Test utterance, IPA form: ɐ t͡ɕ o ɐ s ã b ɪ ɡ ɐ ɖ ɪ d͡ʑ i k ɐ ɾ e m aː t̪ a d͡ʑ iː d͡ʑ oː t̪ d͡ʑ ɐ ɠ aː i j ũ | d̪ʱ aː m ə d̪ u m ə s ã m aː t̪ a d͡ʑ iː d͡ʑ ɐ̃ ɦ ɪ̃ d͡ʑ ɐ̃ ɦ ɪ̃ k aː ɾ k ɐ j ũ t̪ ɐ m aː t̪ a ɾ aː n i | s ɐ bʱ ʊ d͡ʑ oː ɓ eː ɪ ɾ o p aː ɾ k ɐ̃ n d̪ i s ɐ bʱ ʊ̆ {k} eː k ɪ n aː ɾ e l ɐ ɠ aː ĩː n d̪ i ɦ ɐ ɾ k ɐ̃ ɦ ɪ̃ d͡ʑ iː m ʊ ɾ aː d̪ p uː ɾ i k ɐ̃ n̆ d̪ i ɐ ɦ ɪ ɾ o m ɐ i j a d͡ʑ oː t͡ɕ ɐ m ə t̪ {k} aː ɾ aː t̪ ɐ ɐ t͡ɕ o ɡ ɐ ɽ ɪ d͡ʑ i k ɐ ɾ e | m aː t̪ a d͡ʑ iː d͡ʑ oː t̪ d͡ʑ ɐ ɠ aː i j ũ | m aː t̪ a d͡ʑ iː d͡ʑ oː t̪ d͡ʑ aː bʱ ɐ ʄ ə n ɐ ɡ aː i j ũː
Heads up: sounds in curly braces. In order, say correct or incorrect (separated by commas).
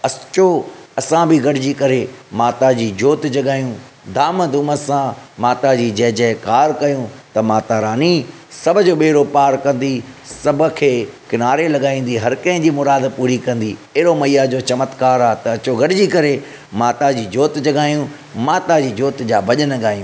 incorrect, correct